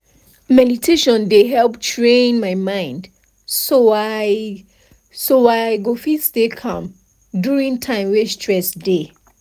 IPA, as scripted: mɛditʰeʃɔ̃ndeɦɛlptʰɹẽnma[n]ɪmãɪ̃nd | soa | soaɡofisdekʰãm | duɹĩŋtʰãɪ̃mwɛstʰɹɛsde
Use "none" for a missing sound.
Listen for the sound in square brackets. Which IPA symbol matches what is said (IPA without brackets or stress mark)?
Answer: none